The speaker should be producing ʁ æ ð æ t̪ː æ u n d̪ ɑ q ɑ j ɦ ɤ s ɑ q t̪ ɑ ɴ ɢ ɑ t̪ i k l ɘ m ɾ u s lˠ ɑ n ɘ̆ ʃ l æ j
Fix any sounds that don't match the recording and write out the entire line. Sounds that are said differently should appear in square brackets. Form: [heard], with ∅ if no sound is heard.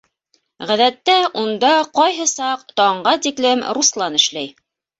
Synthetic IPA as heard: ʁ æ ð æ t̪ː æ u n d̪ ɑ q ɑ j ɦ ɤ s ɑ q t̪ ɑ ɴ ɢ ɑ t̪ i k l ɘ m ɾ u s lˠ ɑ n ɘ̆ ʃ l æ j